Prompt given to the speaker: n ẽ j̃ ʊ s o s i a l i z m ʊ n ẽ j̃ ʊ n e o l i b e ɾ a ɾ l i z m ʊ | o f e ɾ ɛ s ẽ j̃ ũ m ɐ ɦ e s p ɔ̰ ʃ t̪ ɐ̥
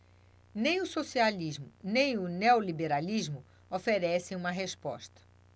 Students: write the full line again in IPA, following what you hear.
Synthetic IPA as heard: n ẽ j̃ ʊ s o s i a l i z m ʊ n ẽ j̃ ʊ n e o l i b e ɾ a l i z m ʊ | o f e ɾ ɛ s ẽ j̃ ũ m ɐ ɦ e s p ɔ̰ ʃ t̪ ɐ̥